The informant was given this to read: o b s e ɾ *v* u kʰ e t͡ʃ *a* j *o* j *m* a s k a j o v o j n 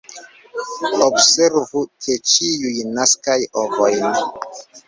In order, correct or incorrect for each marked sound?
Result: correct, incorrect, incorrect, incorrect

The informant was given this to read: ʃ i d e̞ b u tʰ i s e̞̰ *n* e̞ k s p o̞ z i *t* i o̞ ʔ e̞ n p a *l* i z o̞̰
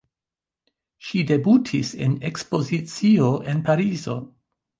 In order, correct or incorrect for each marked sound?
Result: correct, incorrect, incorrect

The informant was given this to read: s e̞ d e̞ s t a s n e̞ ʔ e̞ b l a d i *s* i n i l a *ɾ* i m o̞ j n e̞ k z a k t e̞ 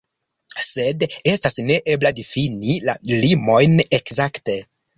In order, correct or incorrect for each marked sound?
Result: incorrect, incorrect

